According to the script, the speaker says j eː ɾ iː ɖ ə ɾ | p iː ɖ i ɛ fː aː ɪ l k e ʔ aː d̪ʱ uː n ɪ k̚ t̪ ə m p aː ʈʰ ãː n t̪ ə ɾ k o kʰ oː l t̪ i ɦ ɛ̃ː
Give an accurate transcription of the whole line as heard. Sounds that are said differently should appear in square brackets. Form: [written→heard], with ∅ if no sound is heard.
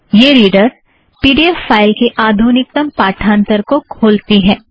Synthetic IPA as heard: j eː ɾ iː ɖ ə ɾ | p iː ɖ i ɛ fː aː ɪ l k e ʔ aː d̪ʱ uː n ɪ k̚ t̪ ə m p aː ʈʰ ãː n t̪ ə ɾ k o kʰ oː l t̪ i ɦ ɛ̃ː

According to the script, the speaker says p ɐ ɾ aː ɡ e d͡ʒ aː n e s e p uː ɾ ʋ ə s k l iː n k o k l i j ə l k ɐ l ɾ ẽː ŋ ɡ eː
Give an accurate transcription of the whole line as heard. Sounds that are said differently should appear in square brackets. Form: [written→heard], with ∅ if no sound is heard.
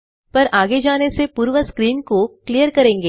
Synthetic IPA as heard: p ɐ ɾ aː ɡ e d͡ʒ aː n e s e p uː ɾ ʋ ə s k [l→ɾ] iː n k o k l i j ə [l→ɾ] k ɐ [l→∅] ɾ ẽː ŋ ɡ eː

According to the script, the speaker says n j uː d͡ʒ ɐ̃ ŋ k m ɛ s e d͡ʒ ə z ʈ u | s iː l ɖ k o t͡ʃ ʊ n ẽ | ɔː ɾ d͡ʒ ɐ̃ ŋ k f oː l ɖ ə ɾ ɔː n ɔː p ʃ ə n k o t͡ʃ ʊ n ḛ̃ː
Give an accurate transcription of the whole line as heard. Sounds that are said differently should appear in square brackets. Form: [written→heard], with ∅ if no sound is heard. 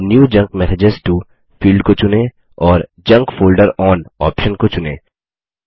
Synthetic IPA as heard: n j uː d͡ʒ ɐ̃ ŋ k m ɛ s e d͡ʒ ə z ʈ u | [s→f] iː l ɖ k o t͡ʃ ʊ n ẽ | ɔː ɾ d͡ʒ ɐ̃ ŋ k f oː l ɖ ə ɾ ɔː n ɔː p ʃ ə n k o t͡ʃ ʊ n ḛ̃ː

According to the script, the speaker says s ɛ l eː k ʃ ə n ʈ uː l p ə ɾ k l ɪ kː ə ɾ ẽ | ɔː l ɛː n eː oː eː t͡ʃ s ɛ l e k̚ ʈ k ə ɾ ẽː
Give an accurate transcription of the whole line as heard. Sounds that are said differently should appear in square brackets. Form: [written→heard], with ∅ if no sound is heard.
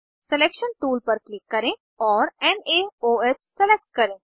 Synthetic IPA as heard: s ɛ l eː k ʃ ə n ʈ uː l p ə ɾ k l ɪ kː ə ɾ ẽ | ɔː [l→ɾ] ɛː n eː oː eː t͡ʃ s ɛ l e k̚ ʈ k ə ɾ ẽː

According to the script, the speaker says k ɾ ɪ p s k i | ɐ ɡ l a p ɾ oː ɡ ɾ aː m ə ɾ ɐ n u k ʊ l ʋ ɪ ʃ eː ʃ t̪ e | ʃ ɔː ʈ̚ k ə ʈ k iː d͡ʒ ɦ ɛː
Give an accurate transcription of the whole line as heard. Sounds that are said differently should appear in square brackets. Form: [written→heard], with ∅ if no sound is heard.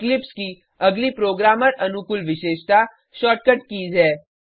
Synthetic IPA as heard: k [ɾ→l] ɪ p s k i | ɐ ɡ l [a→i] p ɾ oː ɡ ɾ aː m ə ɾ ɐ n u k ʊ l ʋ ɪ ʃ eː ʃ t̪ [e→a] | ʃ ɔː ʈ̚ k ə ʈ k iː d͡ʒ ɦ ɛː

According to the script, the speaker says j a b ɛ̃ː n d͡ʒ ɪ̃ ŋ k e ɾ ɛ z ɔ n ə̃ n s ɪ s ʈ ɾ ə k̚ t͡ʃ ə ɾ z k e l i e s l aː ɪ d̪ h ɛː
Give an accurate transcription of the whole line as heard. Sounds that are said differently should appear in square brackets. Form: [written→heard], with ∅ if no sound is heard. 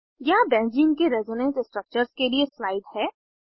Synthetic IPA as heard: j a b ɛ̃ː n d͡ʒ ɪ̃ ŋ k e ɾ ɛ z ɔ n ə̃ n s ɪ s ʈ ɾ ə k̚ t͡ʃ ə ɾ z k e l i e s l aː ɪ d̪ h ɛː

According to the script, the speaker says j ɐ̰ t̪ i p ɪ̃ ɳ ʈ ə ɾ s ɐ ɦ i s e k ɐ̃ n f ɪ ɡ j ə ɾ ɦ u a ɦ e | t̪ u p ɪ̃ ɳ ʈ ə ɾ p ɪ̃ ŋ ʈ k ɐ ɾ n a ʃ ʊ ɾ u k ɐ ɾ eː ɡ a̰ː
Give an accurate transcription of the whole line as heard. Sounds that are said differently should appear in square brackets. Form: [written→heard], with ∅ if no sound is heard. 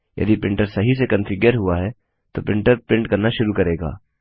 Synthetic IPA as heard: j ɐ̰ [t̪→d̪] i p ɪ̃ ɳ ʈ ə ɾ s ɐ ɦ i s e k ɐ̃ n f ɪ ɡ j ə ɾ ɦ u a ɦ [e→ɛ] | t̪ [u→o] p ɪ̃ ɳ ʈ ə ɾ p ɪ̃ [ŋ→ɳ] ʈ k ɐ ɾ n a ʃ ʊ ɾ u k ɐ ɾ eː ɡ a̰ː

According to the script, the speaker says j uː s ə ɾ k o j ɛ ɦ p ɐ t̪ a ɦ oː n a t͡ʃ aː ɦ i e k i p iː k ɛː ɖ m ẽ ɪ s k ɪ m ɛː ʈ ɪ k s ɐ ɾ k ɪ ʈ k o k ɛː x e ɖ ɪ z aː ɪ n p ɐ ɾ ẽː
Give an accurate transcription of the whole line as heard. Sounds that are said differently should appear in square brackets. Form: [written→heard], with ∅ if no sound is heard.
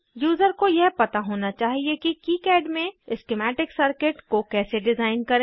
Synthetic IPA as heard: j uː [s→z] ə ɾ k o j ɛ ɦ p ɐ t̪ a ɦ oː n a t͡ʃ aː ɦ i e k i [p→k] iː k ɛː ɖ m ẽ ɪ s k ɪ m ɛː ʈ ɪ k s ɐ ɾ k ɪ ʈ k o k ɛː [x→s] e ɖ ɪ z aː ɪ n [p→k] ɐ ɾ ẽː

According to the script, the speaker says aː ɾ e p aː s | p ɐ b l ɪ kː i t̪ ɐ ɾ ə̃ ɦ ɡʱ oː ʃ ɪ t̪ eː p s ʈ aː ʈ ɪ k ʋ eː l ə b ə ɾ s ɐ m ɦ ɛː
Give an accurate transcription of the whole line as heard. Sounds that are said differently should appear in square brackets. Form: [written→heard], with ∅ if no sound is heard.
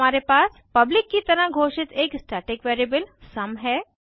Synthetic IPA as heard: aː ɾ e p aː s | p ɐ b l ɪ kː i t̪ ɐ ɾ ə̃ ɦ ɡʱ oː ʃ ɪ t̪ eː [p→k] s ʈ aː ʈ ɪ k ʋ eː [l→ɾ] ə b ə [ɾ→l] s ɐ m ɦ ɛː

